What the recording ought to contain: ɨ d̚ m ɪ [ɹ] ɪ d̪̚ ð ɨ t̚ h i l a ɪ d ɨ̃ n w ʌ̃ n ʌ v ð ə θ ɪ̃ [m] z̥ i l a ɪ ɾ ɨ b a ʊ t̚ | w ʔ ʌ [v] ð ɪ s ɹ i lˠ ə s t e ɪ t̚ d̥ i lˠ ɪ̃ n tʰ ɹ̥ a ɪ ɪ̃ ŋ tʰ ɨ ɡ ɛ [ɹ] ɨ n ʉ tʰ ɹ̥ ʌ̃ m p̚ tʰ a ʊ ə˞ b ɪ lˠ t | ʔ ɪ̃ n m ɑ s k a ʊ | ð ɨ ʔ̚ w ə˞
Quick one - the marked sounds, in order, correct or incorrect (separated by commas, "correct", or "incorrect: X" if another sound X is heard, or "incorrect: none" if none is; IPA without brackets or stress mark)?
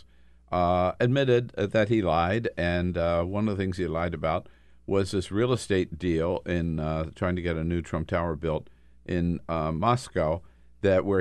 incorrect: ɾ, incorrect: ŋ, incorrect: z, incorrect: ɾ